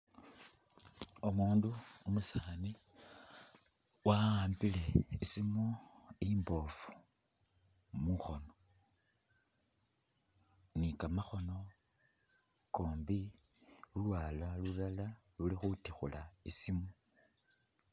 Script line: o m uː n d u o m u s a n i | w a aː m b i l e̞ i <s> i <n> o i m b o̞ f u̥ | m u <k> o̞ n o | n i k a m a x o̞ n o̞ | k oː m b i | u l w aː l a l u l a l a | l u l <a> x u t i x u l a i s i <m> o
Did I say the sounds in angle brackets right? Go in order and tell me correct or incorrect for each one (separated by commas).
correct, incorrect, incorrect, incorrect, correct